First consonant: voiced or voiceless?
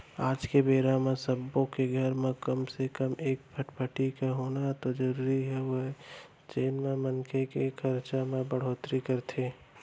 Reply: voiced